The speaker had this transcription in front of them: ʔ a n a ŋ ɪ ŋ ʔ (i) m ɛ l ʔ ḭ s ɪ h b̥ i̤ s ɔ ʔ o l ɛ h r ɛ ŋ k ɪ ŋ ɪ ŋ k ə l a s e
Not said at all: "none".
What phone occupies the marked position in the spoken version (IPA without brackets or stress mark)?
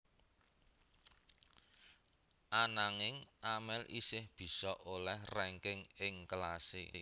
a